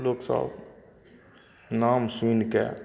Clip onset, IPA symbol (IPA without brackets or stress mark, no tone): l